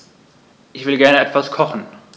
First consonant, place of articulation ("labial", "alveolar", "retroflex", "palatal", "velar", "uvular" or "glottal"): glottal